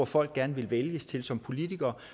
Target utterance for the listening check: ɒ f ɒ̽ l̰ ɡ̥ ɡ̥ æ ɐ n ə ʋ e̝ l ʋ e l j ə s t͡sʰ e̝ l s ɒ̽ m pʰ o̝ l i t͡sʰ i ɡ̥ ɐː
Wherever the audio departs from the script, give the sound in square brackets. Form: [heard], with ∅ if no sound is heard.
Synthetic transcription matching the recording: ɒ f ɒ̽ l̰ ɡ̥ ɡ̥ æ ɐ n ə ʋ e̝ l ʋ e l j ə s t͡sʰ e̝ l s ɒ̽ m pʰ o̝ l i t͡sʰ i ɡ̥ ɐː